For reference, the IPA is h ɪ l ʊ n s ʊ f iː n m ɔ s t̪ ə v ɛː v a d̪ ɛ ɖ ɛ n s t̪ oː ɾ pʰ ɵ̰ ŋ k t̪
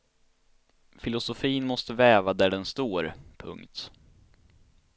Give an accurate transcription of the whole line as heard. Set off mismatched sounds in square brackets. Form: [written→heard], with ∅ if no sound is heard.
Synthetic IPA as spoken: [h→f] ɪ l ʊ [n→∅] s ʊ f iː n m ɔ s t̪ ə v ɛː v a d̪ [ɛ→æ] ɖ ɛ n s t̪ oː ɾ pʰ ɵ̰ ŋ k t̪

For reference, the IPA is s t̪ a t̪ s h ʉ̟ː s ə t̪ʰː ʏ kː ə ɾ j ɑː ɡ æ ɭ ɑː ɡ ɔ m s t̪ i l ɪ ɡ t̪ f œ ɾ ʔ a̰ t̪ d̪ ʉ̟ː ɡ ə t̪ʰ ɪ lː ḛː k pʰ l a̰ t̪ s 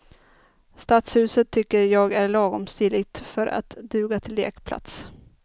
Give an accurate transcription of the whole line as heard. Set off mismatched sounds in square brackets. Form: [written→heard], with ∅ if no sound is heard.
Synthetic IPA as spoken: s t̪ a t̪ s h ʉ̟ː s ə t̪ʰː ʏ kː ə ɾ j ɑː ɡ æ ɭ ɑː ɡ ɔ m s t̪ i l ɪ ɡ t̪ f œ ɾ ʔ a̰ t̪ d̪ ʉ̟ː ɡ [ə→a] t̪ʰ ɪ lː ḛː k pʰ l a̰ t̪ s

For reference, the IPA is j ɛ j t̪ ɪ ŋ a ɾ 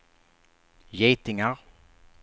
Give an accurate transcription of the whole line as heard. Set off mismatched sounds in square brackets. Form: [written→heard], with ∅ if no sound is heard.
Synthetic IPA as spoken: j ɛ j t̪ ɪ ŋ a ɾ

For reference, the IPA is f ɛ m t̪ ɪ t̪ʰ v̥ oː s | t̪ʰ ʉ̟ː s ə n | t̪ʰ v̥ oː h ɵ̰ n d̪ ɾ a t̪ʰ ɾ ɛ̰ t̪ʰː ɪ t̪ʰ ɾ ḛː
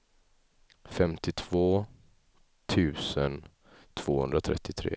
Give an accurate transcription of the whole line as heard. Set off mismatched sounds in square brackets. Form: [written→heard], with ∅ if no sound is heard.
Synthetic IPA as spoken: f ɛ m t̪ ɪ t̪ʰ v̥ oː [s→∅] | t̪ʰ ʉ̟ː s ə n | t̪ʰ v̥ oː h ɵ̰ n d̪ ɾ a t̪ʰ ɾ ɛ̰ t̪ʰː ɪ t̪ʰ ɾ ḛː

